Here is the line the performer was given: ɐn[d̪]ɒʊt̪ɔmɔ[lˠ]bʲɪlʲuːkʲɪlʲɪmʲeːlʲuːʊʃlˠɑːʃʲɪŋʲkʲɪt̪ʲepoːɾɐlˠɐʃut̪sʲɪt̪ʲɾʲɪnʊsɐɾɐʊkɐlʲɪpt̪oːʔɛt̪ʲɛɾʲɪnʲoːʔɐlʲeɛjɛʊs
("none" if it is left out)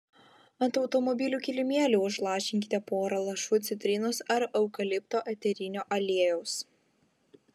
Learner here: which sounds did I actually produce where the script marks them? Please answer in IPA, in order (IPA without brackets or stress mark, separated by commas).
t̪, none